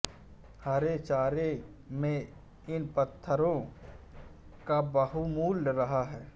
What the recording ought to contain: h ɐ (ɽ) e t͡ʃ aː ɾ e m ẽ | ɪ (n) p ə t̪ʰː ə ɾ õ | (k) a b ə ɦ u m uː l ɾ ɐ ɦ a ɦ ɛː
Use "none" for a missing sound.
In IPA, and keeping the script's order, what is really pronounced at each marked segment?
ɾ, n, k

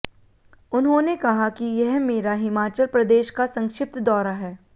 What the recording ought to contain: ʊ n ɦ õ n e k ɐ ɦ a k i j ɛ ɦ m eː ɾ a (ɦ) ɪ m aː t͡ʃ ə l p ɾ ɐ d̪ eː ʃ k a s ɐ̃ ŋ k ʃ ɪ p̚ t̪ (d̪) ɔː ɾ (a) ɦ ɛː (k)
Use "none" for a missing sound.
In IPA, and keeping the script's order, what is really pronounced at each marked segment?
ɦ, d̪, a, none

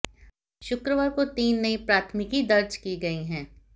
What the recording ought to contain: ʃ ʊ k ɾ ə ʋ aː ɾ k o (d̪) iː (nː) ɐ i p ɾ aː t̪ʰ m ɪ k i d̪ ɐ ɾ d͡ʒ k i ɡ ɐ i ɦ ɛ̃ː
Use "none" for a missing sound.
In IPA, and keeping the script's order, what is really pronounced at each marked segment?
t̪, nː

